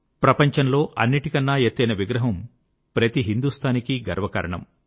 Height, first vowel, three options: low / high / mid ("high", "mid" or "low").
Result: low